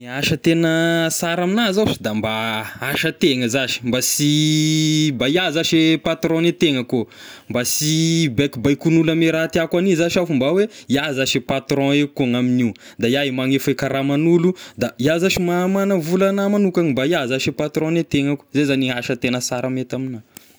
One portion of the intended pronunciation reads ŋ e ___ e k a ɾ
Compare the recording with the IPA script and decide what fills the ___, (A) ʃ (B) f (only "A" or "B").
B